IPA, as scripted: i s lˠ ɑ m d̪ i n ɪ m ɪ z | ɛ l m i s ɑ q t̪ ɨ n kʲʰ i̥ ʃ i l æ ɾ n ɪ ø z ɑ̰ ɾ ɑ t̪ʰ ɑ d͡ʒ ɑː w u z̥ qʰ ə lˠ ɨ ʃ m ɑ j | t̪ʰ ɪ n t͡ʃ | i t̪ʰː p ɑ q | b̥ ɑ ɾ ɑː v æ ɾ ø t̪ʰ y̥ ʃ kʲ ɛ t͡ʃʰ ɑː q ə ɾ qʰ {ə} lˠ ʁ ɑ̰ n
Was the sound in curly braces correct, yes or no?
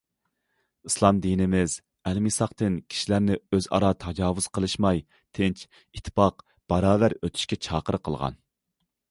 yes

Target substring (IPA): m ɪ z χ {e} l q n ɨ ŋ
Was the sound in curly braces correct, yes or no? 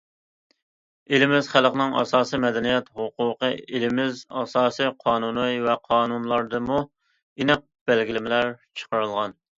no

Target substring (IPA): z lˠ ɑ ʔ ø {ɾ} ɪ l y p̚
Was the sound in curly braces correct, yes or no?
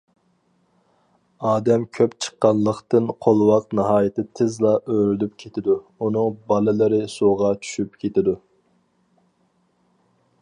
yes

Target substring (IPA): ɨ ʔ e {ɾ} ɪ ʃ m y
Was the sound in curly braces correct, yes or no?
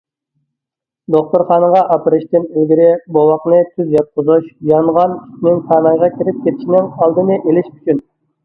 no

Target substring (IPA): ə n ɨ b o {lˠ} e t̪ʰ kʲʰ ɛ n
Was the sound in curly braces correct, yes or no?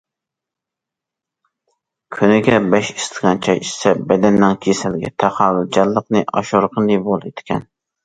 yes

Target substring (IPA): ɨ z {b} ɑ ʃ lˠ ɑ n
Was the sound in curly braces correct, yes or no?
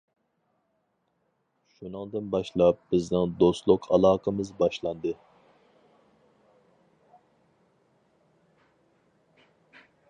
yes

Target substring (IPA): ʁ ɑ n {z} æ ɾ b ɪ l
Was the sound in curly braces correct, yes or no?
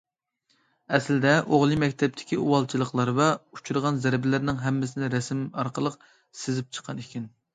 yes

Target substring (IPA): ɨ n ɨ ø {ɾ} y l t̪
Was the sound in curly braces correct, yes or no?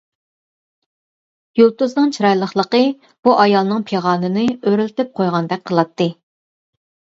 yes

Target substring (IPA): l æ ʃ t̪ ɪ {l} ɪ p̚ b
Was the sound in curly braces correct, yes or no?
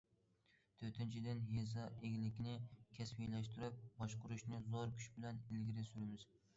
no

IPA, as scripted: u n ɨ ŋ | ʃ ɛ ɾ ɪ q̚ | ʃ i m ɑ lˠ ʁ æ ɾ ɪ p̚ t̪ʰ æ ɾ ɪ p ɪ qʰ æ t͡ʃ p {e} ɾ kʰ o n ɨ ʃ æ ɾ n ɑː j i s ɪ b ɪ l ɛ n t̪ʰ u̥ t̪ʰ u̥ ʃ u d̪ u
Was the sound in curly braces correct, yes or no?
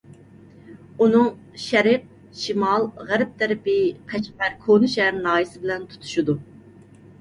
no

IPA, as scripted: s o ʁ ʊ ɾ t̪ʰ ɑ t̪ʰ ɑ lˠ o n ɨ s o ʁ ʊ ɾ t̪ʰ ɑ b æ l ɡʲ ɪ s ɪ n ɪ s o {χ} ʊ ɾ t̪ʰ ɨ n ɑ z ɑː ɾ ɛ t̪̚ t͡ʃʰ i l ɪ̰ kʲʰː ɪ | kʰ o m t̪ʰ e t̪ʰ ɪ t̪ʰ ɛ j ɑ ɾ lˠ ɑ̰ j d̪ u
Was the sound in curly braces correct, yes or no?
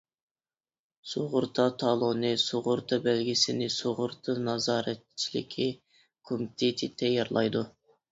no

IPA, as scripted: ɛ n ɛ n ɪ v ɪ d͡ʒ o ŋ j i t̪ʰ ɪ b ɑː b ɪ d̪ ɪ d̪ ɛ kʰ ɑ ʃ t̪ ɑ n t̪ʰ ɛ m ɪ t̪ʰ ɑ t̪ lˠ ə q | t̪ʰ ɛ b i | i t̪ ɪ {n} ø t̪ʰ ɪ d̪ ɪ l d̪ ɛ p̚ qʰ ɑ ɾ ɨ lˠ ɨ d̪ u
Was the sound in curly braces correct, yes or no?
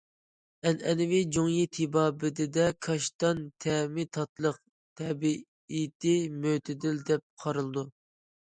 no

